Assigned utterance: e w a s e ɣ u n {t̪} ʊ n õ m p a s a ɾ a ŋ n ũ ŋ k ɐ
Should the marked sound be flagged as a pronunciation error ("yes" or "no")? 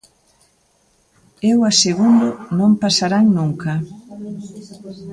yes